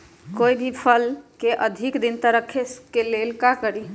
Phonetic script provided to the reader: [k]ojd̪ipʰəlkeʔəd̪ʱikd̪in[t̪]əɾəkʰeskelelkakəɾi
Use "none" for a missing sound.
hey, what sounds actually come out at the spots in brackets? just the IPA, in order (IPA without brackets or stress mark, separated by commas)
k, t̪